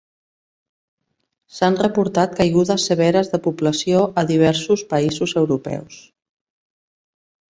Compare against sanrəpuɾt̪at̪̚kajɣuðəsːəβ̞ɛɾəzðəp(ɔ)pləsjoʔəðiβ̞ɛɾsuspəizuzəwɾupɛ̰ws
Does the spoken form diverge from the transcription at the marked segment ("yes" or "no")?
yes